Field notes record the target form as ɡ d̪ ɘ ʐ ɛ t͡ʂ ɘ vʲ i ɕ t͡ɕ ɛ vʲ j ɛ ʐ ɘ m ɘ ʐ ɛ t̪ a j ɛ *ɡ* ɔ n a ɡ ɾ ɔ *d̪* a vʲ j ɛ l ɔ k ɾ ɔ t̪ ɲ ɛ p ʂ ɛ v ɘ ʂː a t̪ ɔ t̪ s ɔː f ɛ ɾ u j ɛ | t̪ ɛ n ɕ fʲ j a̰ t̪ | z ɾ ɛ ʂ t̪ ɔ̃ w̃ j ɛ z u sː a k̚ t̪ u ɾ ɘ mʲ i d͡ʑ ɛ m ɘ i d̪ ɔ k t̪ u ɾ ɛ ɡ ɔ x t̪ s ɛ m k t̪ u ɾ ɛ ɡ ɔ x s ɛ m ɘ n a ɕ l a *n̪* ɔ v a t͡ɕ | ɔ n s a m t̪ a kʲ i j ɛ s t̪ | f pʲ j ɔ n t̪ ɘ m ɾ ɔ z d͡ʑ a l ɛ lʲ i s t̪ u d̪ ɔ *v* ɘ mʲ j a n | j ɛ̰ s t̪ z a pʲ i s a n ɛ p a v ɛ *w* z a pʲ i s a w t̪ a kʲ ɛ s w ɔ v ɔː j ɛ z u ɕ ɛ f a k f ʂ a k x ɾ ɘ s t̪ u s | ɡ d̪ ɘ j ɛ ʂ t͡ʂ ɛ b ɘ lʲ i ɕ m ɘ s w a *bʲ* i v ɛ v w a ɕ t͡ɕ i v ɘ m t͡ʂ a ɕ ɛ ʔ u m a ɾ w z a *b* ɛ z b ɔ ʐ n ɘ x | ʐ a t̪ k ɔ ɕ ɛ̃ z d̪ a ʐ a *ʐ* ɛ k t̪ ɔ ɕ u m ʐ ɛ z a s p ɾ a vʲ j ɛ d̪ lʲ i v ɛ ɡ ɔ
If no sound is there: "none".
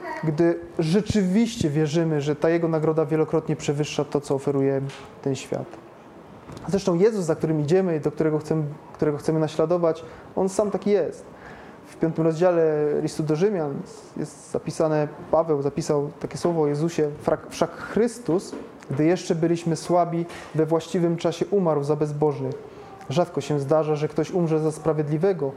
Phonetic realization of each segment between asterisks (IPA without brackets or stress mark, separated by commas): ɡ, d̪, d̪, ʐ, w, bʲ, b, ʐ